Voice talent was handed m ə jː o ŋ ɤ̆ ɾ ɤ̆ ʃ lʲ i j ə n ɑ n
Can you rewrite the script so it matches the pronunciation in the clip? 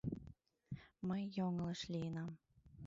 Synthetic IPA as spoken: m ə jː o ŋ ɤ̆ l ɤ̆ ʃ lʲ i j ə n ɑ m